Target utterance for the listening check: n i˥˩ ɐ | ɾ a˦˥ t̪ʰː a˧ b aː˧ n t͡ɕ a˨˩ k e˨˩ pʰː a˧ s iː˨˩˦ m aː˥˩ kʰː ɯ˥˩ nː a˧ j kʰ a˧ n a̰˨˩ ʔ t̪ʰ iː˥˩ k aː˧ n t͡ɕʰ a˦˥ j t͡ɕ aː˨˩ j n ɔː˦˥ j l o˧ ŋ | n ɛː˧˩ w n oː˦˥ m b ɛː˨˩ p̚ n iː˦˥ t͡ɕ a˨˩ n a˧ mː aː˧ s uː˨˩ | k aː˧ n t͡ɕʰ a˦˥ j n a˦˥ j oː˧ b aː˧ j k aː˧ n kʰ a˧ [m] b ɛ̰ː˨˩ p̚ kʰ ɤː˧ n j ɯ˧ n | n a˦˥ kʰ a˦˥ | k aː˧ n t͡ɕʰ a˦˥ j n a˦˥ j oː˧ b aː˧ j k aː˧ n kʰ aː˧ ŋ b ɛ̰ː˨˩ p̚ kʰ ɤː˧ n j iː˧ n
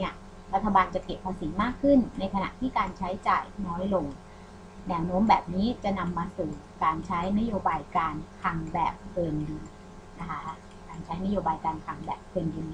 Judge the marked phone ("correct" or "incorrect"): incorrect